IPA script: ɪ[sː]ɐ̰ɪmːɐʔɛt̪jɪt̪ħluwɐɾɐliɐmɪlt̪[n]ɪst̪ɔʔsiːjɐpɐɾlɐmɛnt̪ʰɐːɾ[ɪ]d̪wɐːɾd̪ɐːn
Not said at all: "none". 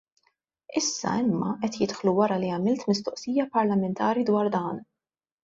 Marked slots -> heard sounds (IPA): sː, m, i

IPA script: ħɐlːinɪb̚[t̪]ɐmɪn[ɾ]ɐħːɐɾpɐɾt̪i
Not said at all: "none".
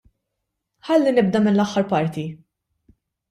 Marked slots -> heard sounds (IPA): d̪, l

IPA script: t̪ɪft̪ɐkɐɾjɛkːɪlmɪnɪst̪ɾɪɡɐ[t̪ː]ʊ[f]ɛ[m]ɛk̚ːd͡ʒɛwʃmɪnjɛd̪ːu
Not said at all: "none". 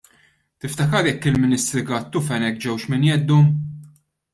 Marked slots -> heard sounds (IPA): t̪ː, f, n

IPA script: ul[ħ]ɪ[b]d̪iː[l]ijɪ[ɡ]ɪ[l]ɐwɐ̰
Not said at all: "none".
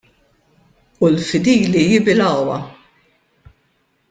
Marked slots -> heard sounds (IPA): f, none, l, b, l

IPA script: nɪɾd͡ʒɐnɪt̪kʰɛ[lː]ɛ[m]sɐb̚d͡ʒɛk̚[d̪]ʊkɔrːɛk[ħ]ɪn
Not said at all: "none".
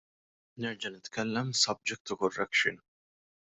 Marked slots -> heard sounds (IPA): lː, m, t̪, ʃ

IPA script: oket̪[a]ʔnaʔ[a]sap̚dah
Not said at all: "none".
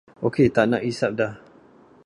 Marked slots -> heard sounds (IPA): a, i

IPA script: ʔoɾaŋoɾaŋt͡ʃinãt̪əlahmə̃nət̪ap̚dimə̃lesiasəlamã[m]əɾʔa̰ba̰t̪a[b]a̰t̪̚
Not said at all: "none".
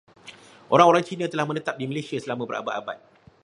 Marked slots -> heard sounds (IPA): b, b

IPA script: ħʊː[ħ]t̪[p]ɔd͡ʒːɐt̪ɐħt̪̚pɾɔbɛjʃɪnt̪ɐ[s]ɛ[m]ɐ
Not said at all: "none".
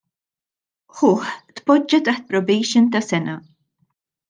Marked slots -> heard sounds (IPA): ħ, p, s, n

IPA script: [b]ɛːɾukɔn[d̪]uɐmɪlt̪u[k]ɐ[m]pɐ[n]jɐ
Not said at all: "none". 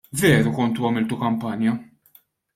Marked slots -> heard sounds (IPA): v, t̪, k, m, n

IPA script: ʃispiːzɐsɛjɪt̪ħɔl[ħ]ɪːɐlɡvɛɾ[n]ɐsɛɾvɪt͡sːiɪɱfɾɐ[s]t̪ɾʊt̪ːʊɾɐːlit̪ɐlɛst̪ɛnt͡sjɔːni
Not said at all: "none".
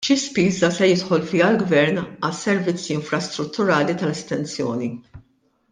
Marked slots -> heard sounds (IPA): f, n, s

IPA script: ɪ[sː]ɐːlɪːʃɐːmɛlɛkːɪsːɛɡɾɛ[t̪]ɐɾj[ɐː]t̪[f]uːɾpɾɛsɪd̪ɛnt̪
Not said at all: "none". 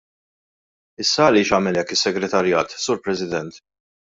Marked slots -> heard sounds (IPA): sː, t̪, ɐː, s

